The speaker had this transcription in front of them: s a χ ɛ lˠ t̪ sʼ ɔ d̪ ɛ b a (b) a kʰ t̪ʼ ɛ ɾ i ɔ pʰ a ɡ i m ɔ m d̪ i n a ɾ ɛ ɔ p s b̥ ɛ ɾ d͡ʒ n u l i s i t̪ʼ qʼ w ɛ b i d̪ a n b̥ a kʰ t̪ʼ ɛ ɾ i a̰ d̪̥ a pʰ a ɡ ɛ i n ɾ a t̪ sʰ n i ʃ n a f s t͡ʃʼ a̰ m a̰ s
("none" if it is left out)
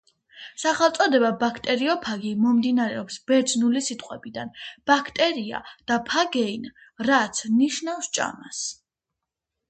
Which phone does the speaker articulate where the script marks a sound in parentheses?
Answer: b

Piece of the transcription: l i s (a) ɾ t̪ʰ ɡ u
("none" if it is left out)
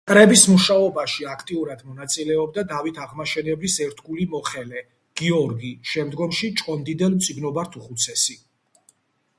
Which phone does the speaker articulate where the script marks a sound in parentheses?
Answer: ɛ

